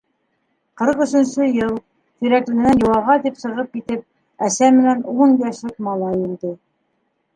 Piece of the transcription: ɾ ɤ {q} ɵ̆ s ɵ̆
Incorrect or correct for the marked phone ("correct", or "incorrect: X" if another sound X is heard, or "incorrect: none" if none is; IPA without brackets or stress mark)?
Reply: correct